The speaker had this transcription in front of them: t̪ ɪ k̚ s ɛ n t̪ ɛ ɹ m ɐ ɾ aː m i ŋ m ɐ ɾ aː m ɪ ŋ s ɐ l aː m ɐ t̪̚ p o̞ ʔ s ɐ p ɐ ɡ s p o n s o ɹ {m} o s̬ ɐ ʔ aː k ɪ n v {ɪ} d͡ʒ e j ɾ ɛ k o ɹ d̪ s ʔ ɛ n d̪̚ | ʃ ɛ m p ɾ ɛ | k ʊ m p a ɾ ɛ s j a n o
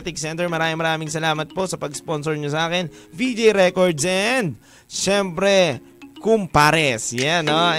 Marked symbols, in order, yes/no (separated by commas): no, no